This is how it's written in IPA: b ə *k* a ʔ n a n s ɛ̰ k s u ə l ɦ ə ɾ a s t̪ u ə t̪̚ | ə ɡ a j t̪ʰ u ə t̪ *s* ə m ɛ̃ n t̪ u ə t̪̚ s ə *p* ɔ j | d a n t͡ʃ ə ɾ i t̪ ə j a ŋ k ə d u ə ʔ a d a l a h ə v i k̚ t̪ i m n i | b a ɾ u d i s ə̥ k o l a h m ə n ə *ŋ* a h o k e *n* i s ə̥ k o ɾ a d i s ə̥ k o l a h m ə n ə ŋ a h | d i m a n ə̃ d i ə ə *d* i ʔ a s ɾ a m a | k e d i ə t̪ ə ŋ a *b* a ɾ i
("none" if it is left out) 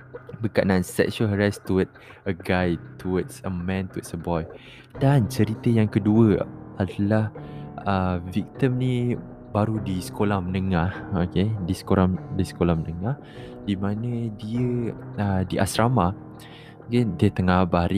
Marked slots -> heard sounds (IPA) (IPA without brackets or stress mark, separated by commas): k, s, b, ŋ, d, d, b